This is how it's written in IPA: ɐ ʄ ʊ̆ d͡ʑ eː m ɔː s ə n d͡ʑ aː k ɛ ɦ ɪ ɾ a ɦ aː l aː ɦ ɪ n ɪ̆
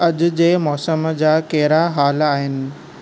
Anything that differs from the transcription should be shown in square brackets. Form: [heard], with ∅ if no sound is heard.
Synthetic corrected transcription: ɐ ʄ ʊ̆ d͡ʑ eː m ɔː s ə [m] d͡ʑ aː k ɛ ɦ ɪ ɾ a ɦ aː l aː ɦ ɪ n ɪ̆